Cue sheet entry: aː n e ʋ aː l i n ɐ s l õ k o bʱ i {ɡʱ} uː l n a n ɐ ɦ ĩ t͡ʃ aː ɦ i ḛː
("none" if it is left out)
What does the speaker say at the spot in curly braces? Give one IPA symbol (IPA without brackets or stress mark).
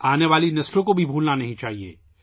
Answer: bʱ